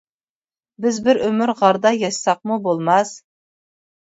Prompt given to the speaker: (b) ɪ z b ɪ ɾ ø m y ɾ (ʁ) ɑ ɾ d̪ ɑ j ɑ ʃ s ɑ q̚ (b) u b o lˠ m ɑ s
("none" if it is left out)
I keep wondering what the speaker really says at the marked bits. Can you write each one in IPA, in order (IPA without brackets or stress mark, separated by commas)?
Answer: b, ʁ, m